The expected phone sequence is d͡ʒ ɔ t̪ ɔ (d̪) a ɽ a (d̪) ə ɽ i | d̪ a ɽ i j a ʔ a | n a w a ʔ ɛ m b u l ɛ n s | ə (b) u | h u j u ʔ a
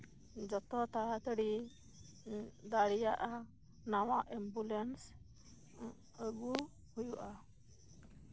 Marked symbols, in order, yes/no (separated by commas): no, no, no